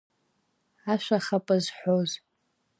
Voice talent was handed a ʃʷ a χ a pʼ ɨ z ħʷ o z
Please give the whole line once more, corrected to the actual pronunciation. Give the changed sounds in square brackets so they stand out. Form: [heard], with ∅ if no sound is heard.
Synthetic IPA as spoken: a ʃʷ a χ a pʼ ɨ z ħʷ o z

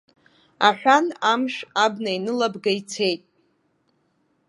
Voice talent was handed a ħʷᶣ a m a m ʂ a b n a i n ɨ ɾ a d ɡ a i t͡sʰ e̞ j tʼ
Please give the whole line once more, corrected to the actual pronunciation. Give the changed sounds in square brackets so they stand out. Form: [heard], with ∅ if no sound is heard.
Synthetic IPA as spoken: a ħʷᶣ a [n] a m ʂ a b n a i n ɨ [l] a [b] ɡ a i t͡sʰ e̞ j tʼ

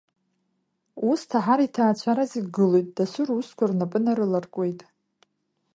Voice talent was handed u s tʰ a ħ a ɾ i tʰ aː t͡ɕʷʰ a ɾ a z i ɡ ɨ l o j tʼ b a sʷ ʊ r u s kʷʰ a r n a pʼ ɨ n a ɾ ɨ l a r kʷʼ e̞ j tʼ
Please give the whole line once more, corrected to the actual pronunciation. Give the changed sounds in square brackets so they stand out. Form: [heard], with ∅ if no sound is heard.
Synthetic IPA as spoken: u s tʰ a ħ a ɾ i tʰ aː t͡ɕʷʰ a ɾ a z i ɡ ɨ l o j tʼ [d] a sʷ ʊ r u s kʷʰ a r n a pʼ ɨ n a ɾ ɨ l a r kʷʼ e̞ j tʼ

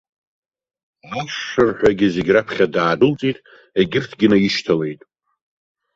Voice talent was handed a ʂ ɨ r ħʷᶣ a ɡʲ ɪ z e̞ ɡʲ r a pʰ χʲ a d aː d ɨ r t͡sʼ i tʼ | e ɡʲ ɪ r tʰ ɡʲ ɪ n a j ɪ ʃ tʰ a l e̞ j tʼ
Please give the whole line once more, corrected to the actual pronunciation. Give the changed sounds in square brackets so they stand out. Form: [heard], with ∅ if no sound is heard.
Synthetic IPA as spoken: a ʂ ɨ r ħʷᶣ a ɡʲ ɪ z e̞ ɡʲ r a pʰ χʲ a d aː d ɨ [l] t͡sʼ i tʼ | e ɡʲ ɪ r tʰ ɡʲ ɪ n a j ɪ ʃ tʰ a l e̞ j tʼ

